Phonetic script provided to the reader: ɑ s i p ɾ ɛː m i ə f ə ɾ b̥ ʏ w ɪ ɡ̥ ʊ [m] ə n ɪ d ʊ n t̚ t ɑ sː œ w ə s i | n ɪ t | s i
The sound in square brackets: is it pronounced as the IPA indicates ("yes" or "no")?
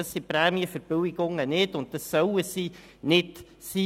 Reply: no